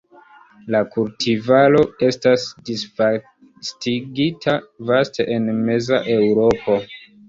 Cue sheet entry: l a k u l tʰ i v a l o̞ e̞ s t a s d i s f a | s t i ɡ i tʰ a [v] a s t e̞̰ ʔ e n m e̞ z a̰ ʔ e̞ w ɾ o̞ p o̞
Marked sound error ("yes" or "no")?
no